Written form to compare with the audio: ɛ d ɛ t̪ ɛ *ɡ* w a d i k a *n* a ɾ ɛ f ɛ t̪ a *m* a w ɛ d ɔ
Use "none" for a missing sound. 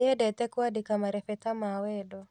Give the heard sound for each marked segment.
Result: k, m, m

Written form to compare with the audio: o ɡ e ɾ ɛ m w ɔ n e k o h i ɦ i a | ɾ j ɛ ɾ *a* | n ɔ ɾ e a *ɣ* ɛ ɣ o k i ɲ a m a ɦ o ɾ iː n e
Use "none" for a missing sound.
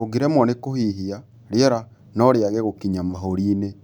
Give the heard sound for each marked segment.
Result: a, ɣ

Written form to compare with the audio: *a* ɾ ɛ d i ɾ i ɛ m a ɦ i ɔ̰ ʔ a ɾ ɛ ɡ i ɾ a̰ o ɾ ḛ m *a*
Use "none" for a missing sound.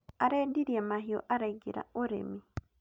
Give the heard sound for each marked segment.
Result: a, i

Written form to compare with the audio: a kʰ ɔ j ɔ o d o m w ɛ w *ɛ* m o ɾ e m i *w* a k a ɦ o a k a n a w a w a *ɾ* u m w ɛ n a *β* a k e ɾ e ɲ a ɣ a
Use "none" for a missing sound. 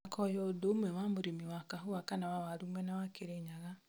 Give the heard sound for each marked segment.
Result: a, w, ɾ, w

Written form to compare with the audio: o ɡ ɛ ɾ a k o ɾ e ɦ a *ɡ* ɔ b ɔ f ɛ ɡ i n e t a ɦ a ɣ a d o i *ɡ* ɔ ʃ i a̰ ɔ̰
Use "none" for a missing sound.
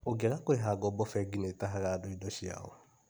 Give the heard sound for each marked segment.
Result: ɡ, d

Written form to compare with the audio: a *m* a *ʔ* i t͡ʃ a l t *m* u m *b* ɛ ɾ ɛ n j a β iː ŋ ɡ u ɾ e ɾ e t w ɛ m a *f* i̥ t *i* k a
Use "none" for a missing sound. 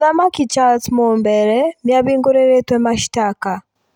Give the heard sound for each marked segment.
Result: m, k, m, b, ʃ, a

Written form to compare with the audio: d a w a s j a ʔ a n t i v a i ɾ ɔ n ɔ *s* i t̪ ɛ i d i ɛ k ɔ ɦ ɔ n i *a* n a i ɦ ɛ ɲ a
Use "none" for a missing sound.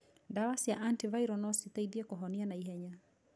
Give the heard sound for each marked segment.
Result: s, a

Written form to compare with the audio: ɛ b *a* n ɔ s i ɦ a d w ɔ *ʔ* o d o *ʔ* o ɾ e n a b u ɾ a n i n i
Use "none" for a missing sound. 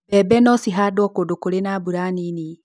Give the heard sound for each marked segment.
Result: ɛ, k, k

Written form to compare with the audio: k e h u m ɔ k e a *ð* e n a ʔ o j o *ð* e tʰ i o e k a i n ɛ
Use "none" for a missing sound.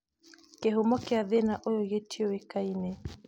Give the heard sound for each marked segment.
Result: ð, ɣ

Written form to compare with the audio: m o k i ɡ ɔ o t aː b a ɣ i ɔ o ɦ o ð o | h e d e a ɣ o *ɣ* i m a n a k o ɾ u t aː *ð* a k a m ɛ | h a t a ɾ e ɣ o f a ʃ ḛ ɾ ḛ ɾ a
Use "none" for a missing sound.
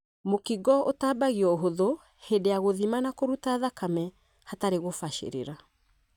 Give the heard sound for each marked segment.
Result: ð, ð

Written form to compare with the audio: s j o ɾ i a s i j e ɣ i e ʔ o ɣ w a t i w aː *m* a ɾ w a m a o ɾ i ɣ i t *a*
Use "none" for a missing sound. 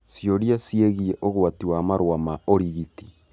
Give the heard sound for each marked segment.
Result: m, i

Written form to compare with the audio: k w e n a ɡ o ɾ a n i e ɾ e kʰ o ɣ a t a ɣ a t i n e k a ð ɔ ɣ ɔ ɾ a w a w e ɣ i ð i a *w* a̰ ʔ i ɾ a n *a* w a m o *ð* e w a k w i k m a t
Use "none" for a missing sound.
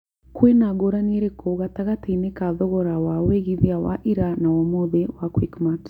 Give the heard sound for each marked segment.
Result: w, a, ð

